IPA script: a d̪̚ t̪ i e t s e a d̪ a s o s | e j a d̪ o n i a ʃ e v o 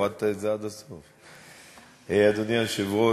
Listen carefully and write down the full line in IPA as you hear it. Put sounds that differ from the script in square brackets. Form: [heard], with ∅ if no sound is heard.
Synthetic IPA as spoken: a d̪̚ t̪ [a] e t [z] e a d̪ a s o [f] | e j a d̪ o n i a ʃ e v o